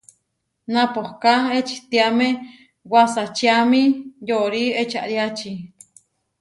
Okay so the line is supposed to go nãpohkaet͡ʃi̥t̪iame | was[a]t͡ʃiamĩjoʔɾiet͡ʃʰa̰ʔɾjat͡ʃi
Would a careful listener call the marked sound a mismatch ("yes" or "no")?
no